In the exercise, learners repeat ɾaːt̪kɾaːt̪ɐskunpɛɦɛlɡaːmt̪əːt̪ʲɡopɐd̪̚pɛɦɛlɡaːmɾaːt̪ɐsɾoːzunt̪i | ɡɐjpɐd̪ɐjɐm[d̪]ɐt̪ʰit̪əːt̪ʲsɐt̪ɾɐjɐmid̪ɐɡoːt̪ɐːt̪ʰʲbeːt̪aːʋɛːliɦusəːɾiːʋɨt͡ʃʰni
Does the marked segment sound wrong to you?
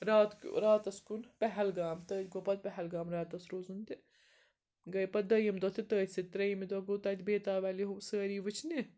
no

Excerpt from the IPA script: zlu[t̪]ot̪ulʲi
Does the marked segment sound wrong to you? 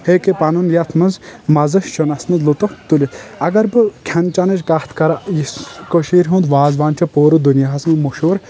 no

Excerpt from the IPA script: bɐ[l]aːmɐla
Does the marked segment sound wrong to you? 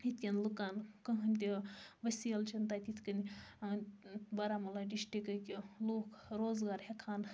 yes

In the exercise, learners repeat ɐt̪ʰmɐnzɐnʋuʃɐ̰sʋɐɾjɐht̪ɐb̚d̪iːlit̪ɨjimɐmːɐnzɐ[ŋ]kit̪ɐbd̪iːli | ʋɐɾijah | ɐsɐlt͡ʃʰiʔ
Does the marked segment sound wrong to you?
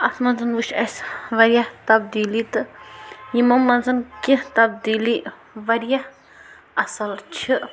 yes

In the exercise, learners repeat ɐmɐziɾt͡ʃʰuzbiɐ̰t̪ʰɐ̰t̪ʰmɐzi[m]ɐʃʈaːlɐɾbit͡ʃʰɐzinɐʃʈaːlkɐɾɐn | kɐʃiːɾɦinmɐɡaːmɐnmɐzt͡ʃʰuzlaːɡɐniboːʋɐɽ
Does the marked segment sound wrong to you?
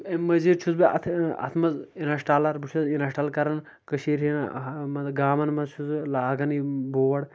yes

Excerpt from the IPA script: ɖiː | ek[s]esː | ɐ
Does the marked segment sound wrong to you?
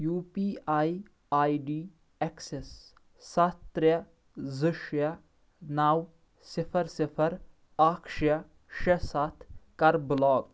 no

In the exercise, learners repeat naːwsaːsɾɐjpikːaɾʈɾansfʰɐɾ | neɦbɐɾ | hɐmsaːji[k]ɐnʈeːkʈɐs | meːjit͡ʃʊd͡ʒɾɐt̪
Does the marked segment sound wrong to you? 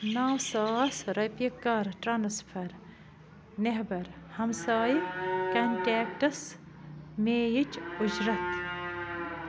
no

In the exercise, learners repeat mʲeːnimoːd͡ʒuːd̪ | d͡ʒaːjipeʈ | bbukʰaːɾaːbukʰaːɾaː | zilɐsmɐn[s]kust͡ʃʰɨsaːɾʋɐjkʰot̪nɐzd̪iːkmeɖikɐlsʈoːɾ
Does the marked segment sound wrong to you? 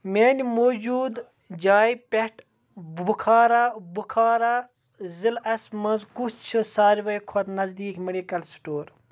yes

